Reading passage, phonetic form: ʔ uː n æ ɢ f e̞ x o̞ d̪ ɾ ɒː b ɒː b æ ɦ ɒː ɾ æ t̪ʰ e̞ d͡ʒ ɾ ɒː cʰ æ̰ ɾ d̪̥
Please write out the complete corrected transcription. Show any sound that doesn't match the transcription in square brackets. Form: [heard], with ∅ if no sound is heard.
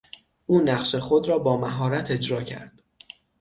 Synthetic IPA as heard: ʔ uː n æ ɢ [ʃ] e̞ x o̞ d̪ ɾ ɒː b ɒː [m] æ ɦ ɒː ɾ æ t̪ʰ e̞ d͡ʒ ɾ ɒː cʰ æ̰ ɾ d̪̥